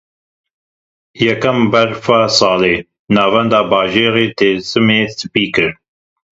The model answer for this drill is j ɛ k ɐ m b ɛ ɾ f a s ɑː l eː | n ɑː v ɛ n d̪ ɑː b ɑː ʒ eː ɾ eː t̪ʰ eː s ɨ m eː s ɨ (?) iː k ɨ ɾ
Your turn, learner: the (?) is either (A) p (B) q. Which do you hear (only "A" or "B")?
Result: A